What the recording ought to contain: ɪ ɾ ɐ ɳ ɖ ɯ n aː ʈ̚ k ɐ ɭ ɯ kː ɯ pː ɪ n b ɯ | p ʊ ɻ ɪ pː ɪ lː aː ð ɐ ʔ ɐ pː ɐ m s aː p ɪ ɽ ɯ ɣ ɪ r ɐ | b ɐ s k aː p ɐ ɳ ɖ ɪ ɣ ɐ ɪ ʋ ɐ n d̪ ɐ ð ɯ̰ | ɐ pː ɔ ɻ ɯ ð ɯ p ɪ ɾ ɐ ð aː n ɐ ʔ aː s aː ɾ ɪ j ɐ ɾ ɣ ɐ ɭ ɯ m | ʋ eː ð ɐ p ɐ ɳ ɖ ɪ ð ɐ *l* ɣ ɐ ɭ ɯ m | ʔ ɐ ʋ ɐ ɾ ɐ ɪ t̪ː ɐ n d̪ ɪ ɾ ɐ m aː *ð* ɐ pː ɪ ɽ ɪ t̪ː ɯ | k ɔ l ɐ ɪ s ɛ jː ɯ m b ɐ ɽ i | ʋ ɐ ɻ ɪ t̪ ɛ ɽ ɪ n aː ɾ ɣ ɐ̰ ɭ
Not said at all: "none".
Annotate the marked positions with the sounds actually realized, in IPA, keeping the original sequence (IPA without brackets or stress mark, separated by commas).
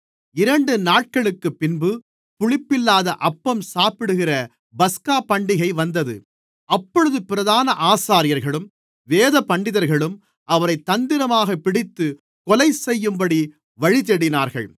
ɾ, ɣ